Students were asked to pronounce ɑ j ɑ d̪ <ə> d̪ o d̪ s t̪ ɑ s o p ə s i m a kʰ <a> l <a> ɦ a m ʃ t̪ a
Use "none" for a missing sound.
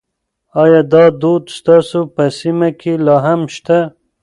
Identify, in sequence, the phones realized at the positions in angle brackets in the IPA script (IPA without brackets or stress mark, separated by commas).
ɑ, e, ɑ